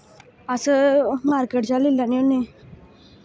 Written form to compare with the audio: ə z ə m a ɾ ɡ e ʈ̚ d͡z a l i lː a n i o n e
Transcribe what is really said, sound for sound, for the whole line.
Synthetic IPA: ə s ə m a ɾ k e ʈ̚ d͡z a l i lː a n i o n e

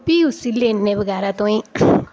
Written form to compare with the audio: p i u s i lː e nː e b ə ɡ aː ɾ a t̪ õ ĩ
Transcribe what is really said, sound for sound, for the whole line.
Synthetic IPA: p i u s i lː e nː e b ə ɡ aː ɾ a t̪ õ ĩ

